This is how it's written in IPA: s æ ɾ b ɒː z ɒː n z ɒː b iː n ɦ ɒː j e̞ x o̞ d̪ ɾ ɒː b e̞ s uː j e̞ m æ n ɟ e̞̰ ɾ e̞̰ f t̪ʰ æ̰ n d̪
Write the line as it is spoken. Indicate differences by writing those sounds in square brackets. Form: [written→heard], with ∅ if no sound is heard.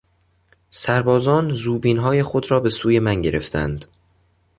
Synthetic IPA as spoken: s æ ɾ b ɒː z ɒː n z [ɒː→uː] b iː n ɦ ɒː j e̞ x o̞ d̪ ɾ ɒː b e̞ s uː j e̞ m æ n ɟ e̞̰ ɾ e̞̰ f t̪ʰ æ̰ n d̪